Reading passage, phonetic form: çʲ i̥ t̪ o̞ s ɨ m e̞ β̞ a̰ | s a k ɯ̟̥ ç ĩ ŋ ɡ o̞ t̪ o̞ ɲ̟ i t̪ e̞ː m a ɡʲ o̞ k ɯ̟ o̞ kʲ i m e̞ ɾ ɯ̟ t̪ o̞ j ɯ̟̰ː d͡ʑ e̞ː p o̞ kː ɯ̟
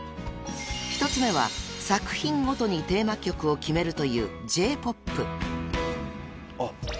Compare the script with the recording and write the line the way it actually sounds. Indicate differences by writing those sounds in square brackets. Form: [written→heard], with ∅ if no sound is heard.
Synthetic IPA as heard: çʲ i̥ t̪ o̞ [s→t͡s] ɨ m e̞ β̞ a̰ | s a k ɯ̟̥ ç ĩ ŋ ɡ o̞ t̪ o̞ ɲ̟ i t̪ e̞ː m a [ɡʲ→kʲ] o̞ k ɯ̟ o̞ kʲ i m e̞ ɾ ɯ̟ t̪ o̞ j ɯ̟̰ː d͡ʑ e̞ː p o̞ [kː→pː] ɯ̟